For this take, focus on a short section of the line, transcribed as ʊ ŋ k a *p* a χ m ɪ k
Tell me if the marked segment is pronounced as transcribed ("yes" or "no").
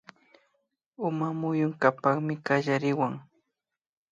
yes